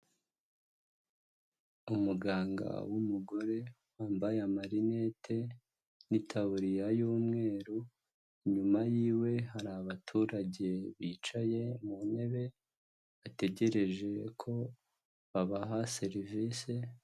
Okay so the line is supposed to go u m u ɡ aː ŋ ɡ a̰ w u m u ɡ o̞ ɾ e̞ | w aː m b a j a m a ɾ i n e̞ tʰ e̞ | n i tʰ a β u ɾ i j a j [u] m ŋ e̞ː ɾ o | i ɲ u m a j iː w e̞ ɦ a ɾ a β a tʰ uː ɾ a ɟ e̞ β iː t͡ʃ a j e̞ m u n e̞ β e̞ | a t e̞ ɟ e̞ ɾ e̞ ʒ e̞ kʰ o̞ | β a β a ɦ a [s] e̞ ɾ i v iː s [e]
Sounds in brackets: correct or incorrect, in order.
incorrect: uː, correct, correct

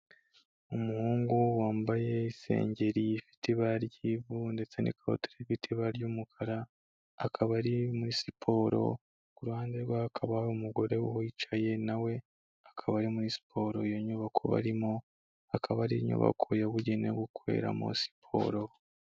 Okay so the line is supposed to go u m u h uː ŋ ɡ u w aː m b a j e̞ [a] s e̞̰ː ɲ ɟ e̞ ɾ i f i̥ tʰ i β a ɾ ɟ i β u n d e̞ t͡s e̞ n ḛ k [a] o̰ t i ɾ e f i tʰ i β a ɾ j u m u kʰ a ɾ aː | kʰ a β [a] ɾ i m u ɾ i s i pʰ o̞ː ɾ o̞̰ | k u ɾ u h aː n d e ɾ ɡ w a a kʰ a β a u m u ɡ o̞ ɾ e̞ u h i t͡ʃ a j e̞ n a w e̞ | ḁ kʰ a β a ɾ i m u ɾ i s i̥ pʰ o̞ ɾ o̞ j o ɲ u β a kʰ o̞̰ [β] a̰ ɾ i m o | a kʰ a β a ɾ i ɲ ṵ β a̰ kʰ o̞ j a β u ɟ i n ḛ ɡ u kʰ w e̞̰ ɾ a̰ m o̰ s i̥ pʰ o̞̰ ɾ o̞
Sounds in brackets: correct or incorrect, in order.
incorrect: i, correct, correct, correct

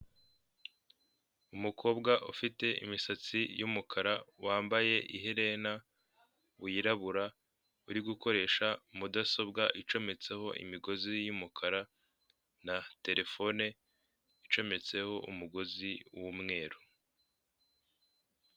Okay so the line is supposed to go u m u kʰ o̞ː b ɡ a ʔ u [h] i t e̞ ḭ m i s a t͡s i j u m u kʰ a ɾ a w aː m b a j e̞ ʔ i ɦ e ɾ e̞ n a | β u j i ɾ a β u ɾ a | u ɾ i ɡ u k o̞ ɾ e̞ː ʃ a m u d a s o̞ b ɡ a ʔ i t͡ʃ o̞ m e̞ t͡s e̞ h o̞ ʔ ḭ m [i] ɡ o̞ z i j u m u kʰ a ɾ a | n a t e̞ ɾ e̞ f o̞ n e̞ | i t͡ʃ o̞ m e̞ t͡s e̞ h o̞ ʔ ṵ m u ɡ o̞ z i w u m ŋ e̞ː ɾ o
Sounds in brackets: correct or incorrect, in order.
incorrect: f, correct

